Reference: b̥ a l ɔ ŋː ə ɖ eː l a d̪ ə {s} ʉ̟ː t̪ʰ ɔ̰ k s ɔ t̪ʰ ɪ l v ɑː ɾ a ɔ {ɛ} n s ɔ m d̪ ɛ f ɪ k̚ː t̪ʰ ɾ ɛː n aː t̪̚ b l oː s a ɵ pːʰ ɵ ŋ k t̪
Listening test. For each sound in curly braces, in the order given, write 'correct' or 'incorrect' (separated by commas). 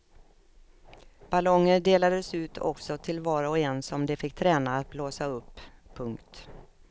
correct, correct